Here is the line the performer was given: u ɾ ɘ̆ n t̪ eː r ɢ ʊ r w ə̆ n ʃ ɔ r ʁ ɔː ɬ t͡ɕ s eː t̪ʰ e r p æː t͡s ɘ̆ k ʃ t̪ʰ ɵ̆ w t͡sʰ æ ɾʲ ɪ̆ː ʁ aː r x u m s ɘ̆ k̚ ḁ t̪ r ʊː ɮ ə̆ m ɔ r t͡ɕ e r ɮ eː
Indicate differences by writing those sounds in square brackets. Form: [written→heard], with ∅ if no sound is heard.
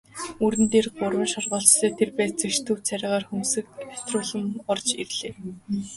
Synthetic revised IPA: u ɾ ɘ̆ n t̪ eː r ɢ ʊ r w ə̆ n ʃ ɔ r ʁ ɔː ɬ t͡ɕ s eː t̪ʰ e r p æː t͡s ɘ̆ k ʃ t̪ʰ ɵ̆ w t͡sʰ æ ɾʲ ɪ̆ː ʁ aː r x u m s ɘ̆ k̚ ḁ t̪ r ʊː ɮ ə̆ m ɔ r t͡ɕ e r ɮ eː